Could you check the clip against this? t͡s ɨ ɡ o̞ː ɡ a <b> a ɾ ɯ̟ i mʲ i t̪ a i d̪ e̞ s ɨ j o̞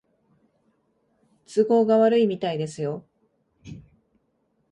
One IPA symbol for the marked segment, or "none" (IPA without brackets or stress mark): β